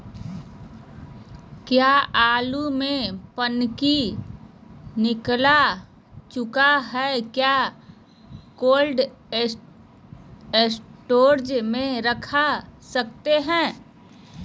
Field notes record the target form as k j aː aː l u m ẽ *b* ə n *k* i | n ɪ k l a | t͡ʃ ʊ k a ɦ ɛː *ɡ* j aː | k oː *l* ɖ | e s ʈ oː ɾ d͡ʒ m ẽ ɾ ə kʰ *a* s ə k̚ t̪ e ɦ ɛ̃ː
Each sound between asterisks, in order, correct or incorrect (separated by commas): incorrect, correct, incorrect, correct, correct